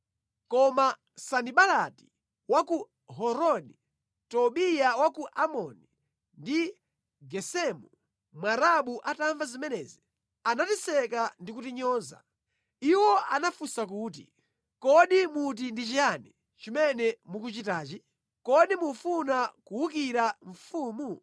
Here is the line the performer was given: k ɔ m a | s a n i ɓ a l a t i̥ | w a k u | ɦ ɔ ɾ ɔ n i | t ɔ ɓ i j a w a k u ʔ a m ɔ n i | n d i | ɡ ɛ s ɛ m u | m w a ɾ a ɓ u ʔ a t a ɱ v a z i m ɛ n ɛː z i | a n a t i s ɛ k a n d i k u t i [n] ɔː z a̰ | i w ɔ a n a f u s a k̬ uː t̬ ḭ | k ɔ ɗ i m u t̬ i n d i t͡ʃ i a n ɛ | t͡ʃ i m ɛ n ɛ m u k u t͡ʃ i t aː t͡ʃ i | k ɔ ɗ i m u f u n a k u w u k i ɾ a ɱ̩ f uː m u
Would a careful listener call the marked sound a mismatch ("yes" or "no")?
yes